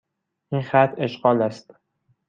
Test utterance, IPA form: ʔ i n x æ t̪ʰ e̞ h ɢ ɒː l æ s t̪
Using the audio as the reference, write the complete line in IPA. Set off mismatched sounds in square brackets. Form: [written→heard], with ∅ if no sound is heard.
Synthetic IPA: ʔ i n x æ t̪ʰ e̞ [h→ʃ] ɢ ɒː l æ s t̪